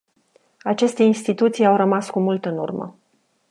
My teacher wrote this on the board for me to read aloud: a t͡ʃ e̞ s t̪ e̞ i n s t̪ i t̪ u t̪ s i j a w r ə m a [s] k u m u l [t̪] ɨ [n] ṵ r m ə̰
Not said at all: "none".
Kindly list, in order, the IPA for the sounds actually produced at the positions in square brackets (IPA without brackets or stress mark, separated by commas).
s, t̪, n